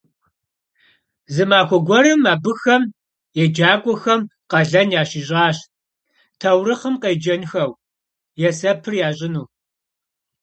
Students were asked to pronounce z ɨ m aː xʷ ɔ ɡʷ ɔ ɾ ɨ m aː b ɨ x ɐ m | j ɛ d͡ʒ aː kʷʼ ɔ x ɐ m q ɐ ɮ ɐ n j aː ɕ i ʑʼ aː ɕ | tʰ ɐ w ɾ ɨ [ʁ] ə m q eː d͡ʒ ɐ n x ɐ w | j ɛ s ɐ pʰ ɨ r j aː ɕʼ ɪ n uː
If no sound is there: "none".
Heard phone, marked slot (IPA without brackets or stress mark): χ